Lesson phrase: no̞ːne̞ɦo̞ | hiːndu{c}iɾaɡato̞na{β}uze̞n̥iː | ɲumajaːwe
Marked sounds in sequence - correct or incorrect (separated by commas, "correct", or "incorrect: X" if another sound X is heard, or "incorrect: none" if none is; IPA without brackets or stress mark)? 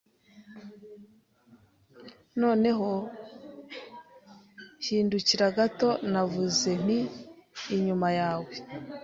correct, incorrect: v